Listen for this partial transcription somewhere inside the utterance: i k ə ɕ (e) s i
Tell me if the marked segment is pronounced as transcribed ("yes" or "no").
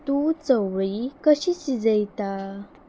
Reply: no